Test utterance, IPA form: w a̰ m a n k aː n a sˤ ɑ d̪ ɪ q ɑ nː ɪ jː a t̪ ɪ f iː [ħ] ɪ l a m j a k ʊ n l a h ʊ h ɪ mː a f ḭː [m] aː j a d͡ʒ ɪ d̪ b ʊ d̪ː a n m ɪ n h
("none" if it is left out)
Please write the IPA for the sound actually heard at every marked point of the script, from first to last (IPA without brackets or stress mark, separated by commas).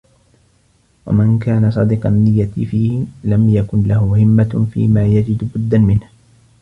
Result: h, m